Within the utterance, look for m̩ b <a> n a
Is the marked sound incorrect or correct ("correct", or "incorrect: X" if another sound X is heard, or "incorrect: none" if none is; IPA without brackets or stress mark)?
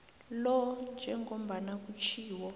correct